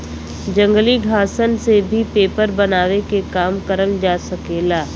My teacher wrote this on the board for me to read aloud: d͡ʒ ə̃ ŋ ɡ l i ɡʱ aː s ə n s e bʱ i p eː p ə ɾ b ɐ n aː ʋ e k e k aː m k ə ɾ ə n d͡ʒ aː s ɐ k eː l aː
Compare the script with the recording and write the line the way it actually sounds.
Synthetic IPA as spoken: d͡ʒ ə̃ ŋ ɡ l i ɡʱ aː s ə n s e bʱ i p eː p ə ɾ b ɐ n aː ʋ e k e k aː m k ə ɾ ə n d͡ʒ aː s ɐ k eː l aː